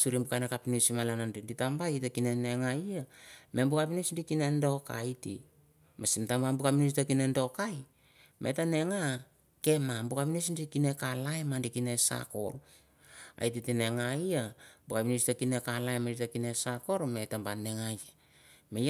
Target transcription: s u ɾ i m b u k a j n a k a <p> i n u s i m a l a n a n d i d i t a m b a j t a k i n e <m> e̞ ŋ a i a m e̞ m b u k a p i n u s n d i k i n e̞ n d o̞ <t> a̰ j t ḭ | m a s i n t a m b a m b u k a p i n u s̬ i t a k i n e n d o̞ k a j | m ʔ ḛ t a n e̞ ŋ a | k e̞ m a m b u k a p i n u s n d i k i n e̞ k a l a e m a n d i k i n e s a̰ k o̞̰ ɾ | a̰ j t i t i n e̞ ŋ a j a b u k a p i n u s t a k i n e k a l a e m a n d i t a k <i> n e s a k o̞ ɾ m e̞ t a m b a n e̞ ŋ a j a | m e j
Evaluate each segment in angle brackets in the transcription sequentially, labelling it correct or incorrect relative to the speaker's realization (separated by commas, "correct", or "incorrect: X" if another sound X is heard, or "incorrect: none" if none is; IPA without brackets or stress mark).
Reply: correct, incorrect: n, incorrect: k, correct